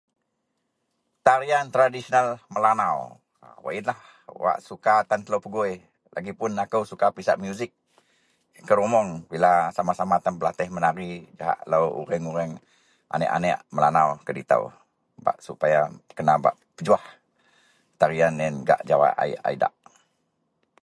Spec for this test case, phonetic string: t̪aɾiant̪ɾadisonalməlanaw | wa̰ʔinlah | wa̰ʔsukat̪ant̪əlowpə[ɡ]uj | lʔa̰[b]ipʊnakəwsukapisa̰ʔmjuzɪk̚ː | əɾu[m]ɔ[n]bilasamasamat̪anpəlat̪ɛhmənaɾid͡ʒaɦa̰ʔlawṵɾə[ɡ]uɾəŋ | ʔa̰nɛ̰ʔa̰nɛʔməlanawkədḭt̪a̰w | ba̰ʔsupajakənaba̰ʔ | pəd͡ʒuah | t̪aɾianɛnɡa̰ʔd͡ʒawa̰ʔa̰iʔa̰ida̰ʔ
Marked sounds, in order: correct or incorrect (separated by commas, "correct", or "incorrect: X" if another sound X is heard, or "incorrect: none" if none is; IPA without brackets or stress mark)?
correct, incorrect: ɡ, correct, incorrect: ŋ, incorrect: ŋ